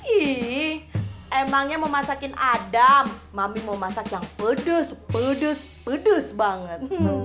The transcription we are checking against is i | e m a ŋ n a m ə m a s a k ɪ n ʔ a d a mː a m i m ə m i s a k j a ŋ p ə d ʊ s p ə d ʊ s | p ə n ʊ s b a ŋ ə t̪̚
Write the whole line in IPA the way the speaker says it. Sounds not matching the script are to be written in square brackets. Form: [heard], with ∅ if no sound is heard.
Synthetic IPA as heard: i | e m a ŋ [ɲ] a m ə m a s a k ɪ n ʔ a d a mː a m i m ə m [a] s a k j a ŋ p ə d ʊ s p ə d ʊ s | p ə [d] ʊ s b a ŋ ə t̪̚

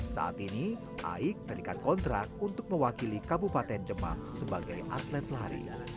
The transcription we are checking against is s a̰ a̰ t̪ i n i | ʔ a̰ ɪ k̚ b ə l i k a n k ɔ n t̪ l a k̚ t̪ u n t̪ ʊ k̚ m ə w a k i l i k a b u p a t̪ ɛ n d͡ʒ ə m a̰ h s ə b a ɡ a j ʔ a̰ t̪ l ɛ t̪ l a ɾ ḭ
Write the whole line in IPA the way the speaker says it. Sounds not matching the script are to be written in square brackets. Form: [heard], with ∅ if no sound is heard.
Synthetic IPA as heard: s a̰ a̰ t̪ i n i | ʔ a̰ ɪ k̚ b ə [ɾ] i k a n k ɔ n t̪ [ɾ] a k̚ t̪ u n t̪ ʊ k̚ m ə w a k i l i k a b u p a t̪ ɛ n d͡ʒ ə m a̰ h s ə b a ɡ a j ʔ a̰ t̪ l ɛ t̪ l a ɾ ḭ

